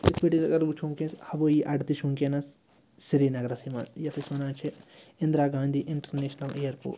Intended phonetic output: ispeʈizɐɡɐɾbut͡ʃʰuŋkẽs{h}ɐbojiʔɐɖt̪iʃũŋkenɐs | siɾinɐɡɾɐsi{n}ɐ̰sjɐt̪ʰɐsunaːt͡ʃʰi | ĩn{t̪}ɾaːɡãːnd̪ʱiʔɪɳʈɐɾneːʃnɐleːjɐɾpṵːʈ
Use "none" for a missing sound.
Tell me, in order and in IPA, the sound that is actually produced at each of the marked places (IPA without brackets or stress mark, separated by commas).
h, m, d̪